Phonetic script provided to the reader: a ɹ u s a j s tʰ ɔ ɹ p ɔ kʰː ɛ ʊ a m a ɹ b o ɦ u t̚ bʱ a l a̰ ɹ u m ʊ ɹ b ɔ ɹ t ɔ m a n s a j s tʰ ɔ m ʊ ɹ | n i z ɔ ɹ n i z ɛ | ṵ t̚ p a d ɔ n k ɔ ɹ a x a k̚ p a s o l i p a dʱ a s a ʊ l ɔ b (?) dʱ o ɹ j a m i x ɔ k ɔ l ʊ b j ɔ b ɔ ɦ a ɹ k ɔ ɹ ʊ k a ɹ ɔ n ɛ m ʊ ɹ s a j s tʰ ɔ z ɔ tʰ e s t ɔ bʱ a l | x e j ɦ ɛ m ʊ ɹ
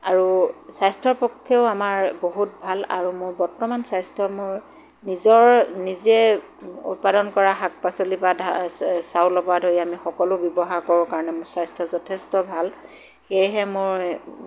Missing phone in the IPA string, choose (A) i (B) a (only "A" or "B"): B